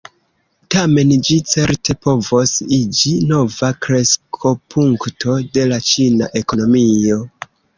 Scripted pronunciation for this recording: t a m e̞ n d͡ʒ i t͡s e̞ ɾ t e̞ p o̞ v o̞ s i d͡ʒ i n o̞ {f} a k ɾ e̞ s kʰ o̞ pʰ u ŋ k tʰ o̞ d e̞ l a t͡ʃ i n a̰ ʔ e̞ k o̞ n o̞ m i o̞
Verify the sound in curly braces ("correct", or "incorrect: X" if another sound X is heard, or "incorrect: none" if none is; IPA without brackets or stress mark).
incorrect: v